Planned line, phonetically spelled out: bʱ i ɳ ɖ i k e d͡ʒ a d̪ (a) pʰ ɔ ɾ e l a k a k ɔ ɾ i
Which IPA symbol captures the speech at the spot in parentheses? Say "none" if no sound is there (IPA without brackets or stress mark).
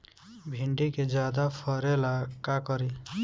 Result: a